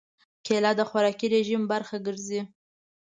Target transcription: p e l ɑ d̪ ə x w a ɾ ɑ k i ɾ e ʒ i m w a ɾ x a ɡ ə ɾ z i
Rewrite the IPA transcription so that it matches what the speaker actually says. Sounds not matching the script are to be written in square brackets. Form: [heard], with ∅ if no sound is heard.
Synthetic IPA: [k] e l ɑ d̪ ə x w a ɾ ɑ k i ɾ e ʒ i m [b] a ɾ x a ɡ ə ɾ z i